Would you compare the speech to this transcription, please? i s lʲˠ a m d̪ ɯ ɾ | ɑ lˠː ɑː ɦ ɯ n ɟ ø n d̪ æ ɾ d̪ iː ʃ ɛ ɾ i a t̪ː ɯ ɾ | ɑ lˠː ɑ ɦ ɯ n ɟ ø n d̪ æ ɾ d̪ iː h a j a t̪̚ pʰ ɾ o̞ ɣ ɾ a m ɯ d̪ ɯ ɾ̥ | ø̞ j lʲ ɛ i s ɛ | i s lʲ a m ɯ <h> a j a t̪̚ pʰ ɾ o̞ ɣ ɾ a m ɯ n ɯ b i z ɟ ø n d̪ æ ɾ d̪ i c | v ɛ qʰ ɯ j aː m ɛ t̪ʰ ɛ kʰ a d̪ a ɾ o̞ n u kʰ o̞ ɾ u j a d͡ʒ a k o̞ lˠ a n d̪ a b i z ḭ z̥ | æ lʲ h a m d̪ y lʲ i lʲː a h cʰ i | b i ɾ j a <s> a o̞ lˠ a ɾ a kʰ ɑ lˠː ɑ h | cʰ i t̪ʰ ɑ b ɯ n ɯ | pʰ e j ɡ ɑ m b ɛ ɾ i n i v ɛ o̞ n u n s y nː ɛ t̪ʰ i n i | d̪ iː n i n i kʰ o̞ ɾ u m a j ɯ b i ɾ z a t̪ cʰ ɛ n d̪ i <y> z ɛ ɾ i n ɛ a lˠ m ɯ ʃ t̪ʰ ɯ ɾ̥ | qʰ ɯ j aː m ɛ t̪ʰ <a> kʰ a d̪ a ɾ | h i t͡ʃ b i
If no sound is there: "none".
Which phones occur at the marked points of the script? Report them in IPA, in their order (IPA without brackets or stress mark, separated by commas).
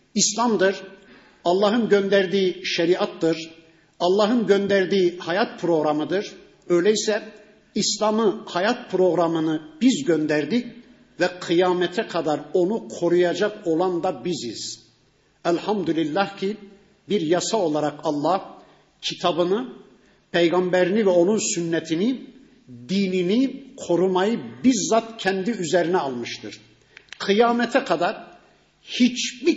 h, s, y, ɛ